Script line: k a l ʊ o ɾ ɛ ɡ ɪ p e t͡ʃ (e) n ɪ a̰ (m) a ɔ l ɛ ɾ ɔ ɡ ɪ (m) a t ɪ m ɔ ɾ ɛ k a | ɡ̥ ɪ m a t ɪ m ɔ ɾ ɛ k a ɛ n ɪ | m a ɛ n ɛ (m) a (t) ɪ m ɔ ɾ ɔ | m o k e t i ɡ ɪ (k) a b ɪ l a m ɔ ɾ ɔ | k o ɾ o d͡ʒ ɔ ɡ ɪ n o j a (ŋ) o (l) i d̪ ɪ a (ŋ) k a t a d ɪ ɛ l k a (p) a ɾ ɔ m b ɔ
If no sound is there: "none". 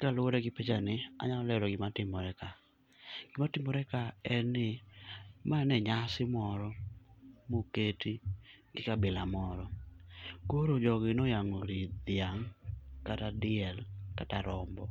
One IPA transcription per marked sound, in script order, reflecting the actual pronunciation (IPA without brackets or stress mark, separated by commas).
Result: a, ɲ, m, ɲ, s, k, ŋ, ɾ, ŋ, t